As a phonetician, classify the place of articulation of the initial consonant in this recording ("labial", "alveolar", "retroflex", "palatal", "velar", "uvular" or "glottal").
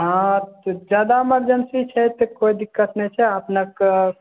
glottal